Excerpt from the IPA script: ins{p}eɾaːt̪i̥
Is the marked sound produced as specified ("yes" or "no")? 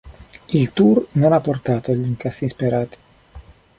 yes